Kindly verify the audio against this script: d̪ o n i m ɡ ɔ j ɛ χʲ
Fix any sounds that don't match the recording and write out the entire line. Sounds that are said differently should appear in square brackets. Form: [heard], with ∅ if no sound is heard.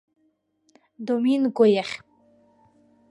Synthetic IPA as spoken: d̪ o [m] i [n] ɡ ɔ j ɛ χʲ